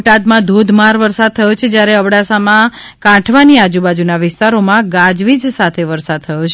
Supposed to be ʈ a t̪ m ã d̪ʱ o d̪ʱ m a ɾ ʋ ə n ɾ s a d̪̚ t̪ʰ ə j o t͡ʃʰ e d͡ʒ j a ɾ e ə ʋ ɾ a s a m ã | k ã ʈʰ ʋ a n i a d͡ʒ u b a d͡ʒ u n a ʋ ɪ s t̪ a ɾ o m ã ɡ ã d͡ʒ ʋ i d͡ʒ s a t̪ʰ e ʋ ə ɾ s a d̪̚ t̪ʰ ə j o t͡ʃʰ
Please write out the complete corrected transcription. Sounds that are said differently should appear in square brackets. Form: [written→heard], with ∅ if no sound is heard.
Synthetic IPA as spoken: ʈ a [t̪→d̪] m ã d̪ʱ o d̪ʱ m a ɾ ʋ ə [n→∅] ɾ s a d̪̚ t̪ʰ ə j o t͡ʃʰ e d͡ʒ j a ɾ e ə ʋ [ɾ→ɽ] a s a m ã | k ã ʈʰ ʋ a n i a d͡ʒ u b a d͡ʒ u n a ʋ ɪ s t̪ a ɾ o m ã ɡ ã d͡ʒ ʋ i d͡ʒ s a t̪ʰ e ʋ ə ɾ s a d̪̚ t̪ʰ ə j o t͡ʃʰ